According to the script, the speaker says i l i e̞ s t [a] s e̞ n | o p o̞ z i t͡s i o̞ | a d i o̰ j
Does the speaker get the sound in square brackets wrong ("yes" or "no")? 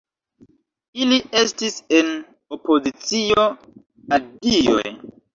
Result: yes